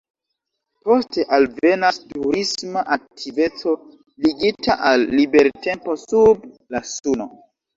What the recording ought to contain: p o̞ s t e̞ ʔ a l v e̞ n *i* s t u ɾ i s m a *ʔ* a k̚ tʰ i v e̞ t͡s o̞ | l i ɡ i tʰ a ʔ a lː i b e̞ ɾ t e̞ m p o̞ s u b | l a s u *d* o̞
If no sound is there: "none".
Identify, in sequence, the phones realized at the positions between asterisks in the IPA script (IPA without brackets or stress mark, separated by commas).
a, ʔ, n